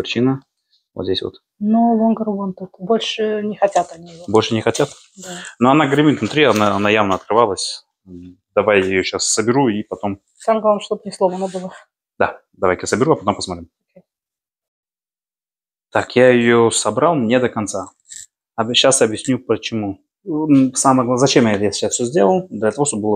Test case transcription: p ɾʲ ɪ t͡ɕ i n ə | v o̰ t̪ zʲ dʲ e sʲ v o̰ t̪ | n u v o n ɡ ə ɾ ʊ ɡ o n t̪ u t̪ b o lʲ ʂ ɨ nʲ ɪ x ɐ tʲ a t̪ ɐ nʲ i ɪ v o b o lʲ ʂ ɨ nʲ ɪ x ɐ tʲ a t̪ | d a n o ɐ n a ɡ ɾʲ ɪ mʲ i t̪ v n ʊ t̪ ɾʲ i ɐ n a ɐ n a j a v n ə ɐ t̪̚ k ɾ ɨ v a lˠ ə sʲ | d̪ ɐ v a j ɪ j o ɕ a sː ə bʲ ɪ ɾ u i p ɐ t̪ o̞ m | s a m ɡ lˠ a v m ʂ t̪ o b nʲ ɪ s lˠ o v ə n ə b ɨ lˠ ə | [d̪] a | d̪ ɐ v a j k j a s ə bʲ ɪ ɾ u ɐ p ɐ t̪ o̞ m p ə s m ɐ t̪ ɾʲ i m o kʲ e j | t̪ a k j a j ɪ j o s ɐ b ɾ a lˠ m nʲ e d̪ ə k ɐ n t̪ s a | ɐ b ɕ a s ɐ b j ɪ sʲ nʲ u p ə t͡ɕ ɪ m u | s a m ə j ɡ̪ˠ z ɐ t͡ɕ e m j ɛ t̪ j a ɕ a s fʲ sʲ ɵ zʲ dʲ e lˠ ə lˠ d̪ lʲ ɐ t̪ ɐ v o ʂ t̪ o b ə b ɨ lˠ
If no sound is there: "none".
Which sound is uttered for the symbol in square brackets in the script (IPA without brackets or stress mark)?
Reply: d̪